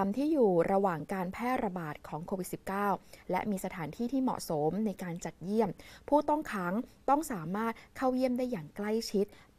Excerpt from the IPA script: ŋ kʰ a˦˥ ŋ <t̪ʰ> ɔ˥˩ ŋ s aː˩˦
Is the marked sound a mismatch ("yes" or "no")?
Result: yes